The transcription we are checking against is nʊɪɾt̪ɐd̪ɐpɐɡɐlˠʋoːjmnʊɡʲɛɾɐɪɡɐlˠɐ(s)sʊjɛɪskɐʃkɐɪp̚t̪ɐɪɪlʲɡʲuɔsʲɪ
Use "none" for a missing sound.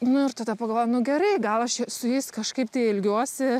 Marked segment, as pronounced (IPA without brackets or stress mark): ʃ